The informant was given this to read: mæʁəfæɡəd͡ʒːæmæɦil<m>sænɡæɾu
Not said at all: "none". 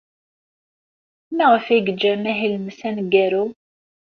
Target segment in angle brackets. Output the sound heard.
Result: m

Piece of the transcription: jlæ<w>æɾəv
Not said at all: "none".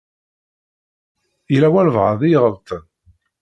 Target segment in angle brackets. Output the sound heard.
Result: w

